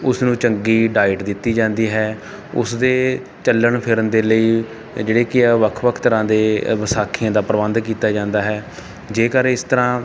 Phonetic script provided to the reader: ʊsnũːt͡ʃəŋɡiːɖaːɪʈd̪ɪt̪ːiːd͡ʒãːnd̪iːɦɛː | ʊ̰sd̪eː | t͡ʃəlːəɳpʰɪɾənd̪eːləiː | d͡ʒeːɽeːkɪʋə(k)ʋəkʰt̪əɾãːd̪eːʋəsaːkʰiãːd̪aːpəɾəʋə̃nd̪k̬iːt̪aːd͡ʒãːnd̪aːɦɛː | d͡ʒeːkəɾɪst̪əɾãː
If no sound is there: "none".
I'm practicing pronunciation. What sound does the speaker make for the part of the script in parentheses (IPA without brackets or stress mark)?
kʰ